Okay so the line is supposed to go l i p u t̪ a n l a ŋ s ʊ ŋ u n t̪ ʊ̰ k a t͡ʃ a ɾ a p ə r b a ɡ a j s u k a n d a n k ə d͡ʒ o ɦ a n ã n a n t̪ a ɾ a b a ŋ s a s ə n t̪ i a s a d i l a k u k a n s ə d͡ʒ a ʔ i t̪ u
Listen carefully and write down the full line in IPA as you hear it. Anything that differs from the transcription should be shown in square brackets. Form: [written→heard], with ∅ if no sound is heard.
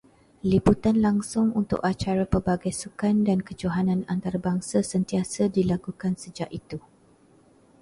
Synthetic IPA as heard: l i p u t̪ a n l a ŋ s ʊ ŋ u n t̪ ʊ̰ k a t͡ʃ a ɾ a p ə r b a ɡ a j s u k a n d a n k ə d͡ʒ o ɦ a n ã n a n t̪ a ɾ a b a ŋ s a s ə n t̪ i a s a d i l a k u k a n s ə d͡ʒ a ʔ i t̪ u